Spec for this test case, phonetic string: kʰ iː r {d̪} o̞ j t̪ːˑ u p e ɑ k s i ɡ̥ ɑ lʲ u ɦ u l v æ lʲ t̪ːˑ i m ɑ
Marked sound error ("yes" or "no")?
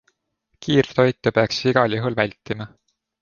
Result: yes